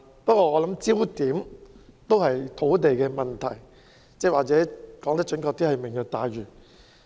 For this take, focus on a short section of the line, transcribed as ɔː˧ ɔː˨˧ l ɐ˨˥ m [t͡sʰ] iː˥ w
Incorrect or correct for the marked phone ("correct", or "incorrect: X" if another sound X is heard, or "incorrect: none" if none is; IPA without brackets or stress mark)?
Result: incorrect: t͡s